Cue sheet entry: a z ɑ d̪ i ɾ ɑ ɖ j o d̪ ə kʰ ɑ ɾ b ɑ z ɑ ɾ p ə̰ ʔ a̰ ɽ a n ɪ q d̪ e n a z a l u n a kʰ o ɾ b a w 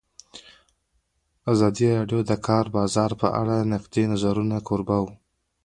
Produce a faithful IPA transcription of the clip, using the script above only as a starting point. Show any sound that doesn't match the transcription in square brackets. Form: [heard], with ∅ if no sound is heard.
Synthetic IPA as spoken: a z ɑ d̪ i ɾ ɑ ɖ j o d̪ ə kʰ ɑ ɾ b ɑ z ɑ ɾ p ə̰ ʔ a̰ ɽ a n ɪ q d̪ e n a z a [ɾ] u n a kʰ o ɾ b a w